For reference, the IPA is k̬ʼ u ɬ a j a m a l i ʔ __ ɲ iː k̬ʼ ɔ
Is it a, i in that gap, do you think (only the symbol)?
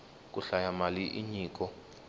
i